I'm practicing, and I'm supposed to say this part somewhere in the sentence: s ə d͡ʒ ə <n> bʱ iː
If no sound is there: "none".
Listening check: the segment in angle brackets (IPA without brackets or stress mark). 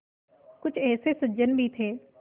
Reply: n